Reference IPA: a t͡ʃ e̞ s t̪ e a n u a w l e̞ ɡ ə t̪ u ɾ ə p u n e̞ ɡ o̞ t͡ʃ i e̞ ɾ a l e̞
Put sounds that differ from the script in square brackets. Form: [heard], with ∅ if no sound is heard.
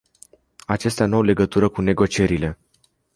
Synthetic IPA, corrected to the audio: a t͡ʃ e̞ s t̪ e a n u a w l e̞ ɡ ə t̪ u ɾ ə [k] u n e̞ ɡ o̞ t͡ʃ i e̞ ɾ [i] l e̞